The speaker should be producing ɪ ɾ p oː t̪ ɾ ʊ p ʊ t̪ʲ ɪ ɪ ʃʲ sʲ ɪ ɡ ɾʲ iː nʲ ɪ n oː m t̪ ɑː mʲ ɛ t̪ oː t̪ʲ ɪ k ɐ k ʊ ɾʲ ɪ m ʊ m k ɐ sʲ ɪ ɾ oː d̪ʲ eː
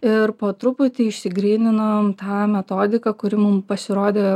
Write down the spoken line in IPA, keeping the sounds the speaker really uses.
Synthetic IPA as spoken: ɪ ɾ p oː t̪ ɾ ʊ p ʊ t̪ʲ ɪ ɪ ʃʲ sʲ ɪ ɡ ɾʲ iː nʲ ɪ n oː m t̪ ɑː mʲ ɛ t̪ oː d̪ʲ ɪ k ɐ k ʊ ɾʲ ɪ m ʊ m p ɐ sʲ ɪ ɾ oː d̪ʲ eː